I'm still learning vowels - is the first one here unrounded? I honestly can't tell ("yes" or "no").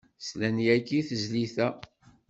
yes